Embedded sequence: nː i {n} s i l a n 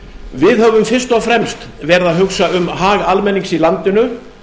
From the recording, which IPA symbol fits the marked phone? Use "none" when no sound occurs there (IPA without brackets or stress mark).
ŋ